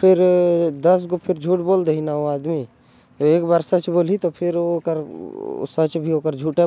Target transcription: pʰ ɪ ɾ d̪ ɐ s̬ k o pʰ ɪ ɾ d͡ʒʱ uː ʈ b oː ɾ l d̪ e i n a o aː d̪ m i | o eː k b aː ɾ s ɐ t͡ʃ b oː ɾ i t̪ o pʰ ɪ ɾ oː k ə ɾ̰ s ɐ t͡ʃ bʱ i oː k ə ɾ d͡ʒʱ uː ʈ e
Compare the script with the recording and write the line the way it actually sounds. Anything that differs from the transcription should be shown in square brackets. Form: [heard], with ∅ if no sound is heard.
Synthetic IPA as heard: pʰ ɪ ɾ d̪ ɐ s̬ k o pʰ ɪ ɾ d͡ʒʱ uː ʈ b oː [∅] l d̪ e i n a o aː d̪ m i | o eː k b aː ɾ s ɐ t͡ʃ b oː [l] i t̪ o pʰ ɪ ɾ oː k ə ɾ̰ s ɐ t͡ʃ bʱ i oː k ə ɾ d͡ʒʱ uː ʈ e